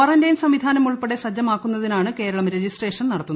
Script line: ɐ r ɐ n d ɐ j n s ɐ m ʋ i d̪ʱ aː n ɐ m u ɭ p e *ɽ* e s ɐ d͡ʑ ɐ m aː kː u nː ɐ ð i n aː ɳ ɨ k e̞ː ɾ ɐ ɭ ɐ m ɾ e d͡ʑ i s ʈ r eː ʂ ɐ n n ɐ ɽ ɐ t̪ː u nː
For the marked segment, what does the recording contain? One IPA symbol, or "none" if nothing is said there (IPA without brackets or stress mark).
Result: ɽ